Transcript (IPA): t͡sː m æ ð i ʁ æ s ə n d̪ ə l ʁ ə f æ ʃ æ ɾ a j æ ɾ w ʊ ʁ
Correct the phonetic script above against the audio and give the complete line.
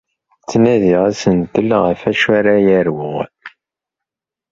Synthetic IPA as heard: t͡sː n æ ð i ʁ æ s ə n t̪ ə l ʁ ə f æ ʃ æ ɾ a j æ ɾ w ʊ ʁ